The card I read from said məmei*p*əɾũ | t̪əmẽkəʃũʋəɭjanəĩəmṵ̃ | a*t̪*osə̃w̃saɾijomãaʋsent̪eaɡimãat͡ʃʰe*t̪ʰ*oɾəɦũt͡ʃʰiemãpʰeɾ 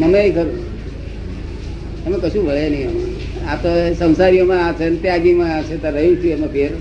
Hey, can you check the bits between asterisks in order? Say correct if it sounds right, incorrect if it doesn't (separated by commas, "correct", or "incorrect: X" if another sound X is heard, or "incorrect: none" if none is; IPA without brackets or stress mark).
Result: incorrect: k, correct, incorrect: t̪